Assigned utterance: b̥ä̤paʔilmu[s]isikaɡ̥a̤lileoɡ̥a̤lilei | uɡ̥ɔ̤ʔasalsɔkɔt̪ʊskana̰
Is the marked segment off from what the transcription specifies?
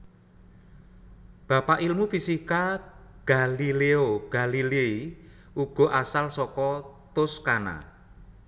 yes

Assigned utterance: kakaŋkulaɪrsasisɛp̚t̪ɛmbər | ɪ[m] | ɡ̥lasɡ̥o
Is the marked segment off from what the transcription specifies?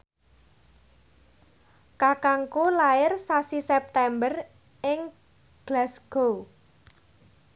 yes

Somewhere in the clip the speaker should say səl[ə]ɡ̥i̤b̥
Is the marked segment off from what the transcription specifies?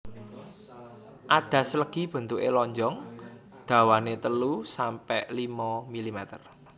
no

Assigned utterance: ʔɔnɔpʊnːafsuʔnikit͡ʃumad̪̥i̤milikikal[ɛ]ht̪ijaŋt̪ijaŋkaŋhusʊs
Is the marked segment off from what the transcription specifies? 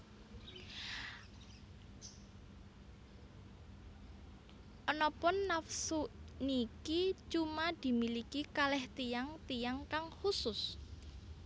no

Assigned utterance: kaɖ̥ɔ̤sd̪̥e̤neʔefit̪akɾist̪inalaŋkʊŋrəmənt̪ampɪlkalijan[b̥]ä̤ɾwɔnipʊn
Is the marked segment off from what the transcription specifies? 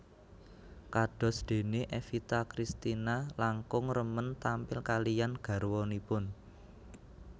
yes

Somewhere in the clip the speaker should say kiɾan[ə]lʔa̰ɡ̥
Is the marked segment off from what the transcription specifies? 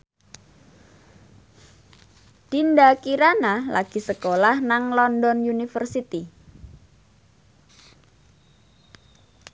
yes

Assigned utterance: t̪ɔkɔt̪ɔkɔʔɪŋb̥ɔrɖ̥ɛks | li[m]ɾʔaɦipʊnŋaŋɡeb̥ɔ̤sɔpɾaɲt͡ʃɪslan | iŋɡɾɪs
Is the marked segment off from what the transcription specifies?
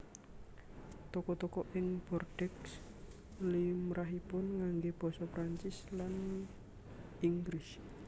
no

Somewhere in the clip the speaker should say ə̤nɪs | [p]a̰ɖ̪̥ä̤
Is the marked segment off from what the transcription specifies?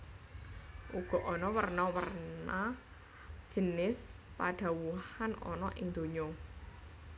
no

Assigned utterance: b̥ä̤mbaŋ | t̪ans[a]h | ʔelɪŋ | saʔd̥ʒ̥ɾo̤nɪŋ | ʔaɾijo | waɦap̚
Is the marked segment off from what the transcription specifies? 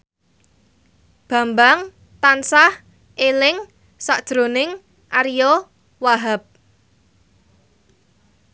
no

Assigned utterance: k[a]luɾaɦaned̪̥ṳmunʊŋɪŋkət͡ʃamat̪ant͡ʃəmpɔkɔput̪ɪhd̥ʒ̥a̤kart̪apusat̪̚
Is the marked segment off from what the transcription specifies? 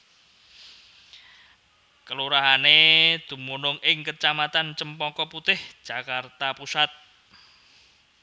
yes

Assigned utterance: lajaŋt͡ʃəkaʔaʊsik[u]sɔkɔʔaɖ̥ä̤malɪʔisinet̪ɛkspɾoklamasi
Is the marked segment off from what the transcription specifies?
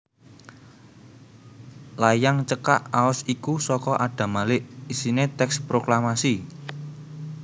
no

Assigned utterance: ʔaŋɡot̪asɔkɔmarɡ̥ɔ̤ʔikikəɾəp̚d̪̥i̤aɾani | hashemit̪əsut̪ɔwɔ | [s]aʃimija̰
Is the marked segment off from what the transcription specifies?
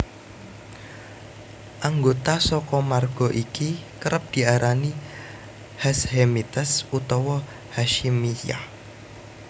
yes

